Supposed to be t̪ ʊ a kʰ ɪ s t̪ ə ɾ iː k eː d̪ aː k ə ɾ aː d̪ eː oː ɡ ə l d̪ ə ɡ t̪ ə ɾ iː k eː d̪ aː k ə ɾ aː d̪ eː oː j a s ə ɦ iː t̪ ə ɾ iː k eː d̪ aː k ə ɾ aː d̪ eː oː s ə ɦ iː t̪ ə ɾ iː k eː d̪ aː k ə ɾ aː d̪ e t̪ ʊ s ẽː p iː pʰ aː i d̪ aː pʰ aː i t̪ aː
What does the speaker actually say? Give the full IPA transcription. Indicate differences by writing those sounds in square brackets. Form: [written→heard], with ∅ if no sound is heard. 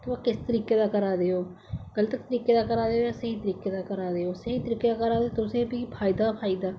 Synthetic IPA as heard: t̪ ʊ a [kʰ→k] ɪ s t̪ ə ɾ iː k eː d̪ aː k ə ɾ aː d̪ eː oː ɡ ə l [d̪→t̪] ə [ɡ→k] t̪ ə ɾ iː k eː d̪ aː k ə ɾ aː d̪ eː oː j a s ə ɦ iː t̪ ə ɾ iː k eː d̪ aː k ə ɾ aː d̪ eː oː s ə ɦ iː t̪ ə ɾ iː k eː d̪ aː k ə ɾ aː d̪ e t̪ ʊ s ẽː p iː pʰ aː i d̪ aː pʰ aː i [t̪→d̪] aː